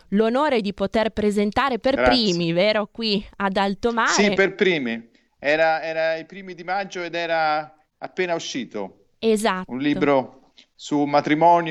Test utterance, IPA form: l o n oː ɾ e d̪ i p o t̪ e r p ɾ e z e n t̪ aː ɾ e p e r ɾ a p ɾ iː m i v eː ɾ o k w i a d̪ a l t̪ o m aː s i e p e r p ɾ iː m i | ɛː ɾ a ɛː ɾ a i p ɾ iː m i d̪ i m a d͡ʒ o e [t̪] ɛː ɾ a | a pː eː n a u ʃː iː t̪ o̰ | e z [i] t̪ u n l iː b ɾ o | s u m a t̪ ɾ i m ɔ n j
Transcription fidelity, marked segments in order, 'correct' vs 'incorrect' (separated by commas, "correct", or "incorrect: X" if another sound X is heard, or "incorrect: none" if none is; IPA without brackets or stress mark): incorrect: d̪, incorrect: a